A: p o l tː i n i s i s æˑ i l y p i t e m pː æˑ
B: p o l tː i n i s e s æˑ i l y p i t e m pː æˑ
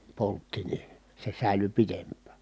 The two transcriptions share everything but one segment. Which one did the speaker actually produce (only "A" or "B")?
B